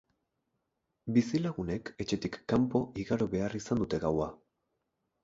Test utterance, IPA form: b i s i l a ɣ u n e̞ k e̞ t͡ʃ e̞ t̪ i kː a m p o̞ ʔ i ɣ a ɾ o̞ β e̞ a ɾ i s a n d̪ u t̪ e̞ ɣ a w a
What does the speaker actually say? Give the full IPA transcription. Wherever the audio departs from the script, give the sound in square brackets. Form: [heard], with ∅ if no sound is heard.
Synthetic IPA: b i s i l a ɣ u n e̞ k e̞ t͡ʃ e̞ t̪ i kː a m p o̞ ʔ i ɣ a ɾ o̞ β e̞ a [r] i s a n d̪ u t̪ e̞ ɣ a w a